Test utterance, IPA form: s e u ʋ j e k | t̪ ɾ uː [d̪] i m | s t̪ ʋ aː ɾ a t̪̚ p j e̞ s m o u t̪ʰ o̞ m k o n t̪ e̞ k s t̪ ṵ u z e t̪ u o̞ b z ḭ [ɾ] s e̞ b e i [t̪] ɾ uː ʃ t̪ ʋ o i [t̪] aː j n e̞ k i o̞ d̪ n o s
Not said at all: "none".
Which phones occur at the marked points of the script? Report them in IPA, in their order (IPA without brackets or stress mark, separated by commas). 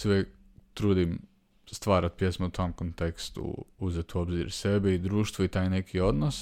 d̪, ɾ, d̪, t̪